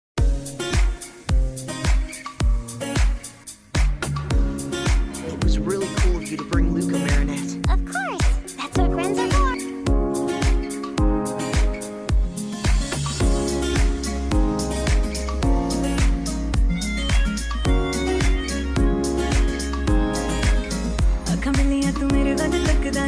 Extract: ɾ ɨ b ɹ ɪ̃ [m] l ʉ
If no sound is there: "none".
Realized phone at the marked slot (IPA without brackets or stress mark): ŋ